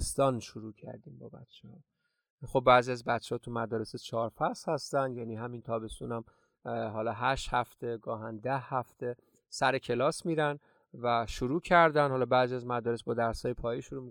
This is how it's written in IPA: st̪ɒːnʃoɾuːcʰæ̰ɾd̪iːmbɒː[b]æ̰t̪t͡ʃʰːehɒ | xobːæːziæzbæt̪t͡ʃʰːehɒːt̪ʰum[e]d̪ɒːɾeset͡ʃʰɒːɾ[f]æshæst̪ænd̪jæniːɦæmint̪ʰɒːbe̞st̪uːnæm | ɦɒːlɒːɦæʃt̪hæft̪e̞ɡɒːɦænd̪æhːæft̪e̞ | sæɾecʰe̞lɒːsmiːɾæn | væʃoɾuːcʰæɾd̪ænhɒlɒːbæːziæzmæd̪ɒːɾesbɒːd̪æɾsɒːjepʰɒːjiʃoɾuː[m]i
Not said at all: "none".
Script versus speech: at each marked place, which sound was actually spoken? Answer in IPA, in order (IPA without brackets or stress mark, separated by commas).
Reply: b, æ, f, m